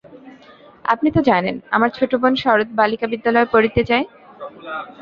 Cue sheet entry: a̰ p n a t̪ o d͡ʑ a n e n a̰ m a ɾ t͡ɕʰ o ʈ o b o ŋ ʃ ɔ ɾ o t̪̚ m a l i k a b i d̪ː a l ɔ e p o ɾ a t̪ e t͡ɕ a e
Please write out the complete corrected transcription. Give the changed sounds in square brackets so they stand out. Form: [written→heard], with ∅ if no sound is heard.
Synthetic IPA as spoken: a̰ p n [a→i] t̪ o d͡ʑ a n e n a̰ m a ɾ t͡ɕʰ o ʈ o b o [ŋ→n] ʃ ɔ ɾ o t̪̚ [m→b] a l i k a b i d̪ː a l ɔ e p o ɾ [a→i] t̪ e t͡ɕ a e